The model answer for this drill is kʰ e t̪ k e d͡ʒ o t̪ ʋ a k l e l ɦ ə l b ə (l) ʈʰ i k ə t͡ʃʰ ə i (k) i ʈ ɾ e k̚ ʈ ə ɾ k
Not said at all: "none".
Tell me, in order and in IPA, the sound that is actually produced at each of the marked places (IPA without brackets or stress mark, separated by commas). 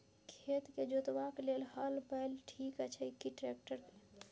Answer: l, k